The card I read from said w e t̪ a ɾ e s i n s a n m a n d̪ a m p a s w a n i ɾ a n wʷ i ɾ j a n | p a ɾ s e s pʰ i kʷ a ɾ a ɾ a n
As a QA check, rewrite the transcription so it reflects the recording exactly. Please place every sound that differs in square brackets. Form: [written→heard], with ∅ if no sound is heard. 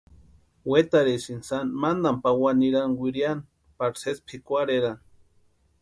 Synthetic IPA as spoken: w e t̪ a ɾ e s i n s a n m a n d̪ a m p a [s→∅] w a n i ɾ a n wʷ i ɾ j a n | p a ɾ s e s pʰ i kʷ a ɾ [a→e] ɾ a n